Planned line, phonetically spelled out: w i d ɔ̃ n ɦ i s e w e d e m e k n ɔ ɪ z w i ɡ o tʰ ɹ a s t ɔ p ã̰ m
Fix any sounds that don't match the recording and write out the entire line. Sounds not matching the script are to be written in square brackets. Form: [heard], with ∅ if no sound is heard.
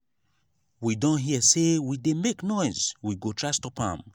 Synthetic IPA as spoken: w i d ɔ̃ n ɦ i s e w [i] d e m e k n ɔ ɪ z w i ɡ o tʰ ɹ a s t ɔ p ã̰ m

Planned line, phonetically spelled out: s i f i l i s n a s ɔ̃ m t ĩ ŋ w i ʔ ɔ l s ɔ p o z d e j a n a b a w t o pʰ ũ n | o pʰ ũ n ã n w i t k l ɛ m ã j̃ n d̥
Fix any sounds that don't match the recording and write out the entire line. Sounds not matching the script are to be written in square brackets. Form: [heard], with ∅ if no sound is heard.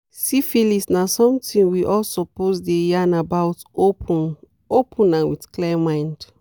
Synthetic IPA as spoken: s i f i l i s n a s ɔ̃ m t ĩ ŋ w i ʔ ɔ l s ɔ p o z d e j a n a b a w t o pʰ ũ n | o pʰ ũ n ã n w i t k l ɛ m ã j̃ n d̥

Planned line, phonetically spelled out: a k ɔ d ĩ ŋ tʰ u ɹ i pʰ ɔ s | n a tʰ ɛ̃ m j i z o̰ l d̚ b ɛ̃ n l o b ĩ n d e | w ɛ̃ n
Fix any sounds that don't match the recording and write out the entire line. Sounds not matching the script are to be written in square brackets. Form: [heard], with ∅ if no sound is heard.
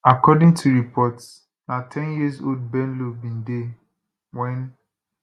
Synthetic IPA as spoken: a k ɔ d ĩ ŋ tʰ u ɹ i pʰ ɔ [t] | n a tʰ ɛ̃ [n] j i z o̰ l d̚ b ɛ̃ n l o b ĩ n d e | w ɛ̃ n

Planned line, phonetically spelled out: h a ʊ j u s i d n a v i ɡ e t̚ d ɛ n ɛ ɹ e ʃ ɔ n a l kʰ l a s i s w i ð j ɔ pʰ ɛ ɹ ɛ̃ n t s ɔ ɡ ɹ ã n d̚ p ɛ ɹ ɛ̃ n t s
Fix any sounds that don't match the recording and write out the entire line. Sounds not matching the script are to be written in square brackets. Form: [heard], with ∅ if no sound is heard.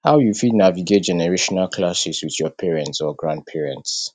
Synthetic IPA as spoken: h a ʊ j u [f] i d n a v i ɡ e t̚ [d͡ʒ] ɛ n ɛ ɹ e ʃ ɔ n a l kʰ l a s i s w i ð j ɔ pʰ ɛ ɹ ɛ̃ n t s ɔ ɡ ɹ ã n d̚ [pʰ] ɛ ɹ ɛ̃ n t s

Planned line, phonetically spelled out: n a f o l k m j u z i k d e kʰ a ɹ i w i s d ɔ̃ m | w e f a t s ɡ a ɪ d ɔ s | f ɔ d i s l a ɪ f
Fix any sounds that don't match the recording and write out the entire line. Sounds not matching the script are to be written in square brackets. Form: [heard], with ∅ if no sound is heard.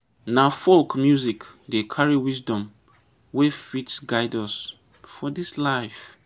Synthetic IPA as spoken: n a f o l k m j u z i k d e kʰ a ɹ i w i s d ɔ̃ m | w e f [i] t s ɡ a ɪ d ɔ s | f ɔ d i s l a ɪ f

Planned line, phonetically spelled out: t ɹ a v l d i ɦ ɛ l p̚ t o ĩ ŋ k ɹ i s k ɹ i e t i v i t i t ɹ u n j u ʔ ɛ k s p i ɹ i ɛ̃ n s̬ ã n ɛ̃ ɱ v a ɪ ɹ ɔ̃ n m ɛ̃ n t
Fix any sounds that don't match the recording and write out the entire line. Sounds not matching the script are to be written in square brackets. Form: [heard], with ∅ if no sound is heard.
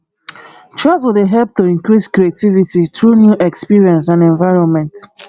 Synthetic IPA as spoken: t ɹ a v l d [e] ɦ ɛ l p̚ t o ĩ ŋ k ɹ i s k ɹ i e t i v i t i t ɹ u n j u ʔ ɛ k s p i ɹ i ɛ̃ n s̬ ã n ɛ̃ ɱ v a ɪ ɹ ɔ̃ n m ɛ̃ n t

